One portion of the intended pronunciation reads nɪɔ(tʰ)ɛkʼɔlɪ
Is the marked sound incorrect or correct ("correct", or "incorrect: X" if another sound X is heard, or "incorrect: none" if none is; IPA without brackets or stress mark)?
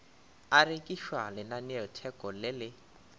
correct